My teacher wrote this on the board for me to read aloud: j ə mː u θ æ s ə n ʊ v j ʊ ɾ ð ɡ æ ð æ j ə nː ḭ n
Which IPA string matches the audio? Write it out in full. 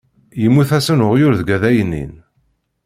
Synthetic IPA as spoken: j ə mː u θ æ s ə n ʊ ʁ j ʊ ɾ ð ɡ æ ð æ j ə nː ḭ n